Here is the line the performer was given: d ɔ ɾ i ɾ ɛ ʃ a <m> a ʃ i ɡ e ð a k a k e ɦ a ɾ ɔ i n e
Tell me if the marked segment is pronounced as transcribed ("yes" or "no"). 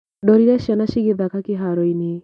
no